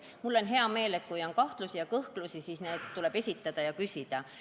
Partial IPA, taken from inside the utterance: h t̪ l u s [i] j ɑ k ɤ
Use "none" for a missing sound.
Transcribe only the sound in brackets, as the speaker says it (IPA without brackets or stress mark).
i